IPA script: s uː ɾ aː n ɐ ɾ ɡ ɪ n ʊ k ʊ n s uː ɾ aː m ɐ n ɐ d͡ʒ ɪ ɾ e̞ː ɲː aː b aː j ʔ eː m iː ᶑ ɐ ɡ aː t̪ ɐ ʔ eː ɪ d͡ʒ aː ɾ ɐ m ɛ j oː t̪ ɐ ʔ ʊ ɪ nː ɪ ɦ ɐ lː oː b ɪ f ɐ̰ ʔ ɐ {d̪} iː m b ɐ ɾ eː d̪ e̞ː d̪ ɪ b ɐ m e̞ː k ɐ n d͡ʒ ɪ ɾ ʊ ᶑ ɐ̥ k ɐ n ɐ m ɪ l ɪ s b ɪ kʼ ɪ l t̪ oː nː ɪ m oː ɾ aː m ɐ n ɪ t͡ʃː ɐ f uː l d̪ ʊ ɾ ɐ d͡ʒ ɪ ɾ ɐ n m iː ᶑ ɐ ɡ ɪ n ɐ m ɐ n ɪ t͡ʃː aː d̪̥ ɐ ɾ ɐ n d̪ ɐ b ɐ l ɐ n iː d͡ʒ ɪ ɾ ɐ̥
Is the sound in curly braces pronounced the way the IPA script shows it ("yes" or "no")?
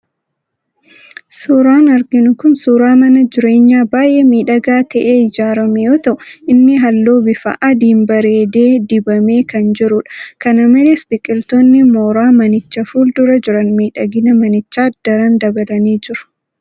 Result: yes